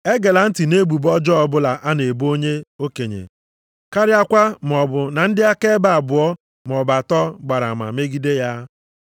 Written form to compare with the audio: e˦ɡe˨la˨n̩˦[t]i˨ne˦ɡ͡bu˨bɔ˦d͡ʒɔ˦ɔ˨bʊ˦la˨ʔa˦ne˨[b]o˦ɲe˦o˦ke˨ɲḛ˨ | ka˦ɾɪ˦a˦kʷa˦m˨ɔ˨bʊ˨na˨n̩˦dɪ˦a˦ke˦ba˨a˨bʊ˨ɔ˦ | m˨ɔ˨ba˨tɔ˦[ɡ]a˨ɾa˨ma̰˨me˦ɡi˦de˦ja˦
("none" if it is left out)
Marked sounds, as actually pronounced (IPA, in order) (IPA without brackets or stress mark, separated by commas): t, b, ɡ͡b